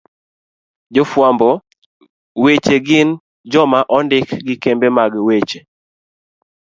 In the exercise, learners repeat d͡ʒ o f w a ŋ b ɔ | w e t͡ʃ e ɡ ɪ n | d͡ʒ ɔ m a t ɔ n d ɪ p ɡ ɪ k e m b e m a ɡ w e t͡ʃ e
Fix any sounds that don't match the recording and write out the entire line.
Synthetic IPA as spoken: d͡ʒ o f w a m b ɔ | w e t͡ʃ e ɡ ɪ n | d͡ʒ ɔ m a ʔ ɔ n d ɪ k ɡ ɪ k e m b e m a ɡ w e t͡ʃ e